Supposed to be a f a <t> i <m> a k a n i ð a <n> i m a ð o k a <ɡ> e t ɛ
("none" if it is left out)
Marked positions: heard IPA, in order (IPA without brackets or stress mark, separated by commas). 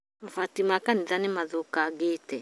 t, m, n, ɡ